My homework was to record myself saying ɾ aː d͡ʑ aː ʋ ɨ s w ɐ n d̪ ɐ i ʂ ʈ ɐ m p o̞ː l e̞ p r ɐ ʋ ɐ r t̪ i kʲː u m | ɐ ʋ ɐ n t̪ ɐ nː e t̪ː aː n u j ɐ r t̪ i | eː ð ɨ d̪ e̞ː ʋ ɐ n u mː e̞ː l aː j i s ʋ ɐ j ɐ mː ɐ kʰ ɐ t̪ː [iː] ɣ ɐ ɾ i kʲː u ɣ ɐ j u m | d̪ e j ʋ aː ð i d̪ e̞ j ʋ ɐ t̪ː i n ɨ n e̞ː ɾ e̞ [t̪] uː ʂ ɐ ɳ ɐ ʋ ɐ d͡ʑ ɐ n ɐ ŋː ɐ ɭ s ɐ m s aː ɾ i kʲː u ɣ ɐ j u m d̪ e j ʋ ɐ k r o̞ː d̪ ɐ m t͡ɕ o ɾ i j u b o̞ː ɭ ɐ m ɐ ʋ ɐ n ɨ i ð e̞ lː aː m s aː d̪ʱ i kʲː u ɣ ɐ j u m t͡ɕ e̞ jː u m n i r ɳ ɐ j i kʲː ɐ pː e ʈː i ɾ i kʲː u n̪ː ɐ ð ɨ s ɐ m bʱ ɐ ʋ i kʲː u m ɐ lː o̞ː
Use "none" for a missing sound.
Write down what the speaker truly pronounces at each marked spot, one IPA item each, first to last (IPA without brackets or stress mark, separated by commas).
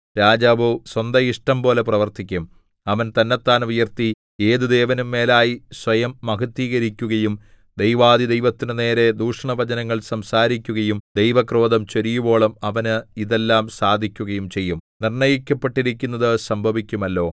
iː, d̪